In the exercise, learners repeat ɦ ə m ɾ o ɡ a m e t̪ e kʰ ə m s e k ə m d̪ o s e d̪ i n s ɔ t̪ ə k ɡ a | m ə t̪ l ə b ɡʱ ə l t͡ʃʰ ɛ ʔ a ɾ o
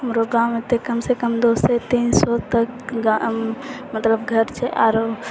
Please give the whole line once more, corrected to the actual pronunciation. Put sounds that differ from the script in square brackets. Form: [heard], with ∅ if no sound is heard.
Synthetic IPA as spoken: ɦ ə m ɾ o ɡ a m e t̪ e [k] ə m s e k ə m d̪ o s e [t̪] i n s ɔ t̪ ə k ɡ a | m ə t̪ l ə b ɡʱ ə [ɾ] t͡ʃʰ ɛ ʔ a ɾ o